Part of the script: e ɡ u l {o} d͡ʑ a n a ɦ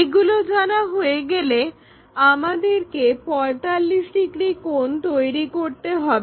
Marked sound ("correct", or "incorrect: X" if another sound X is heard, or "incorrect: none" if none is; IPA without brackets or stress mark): correct